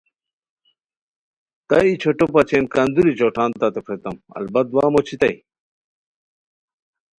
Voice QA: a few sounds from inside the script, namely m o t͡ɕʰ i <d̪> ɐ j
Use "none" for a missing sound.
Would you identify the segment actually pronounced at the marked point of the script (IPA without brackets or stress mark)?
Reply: t̪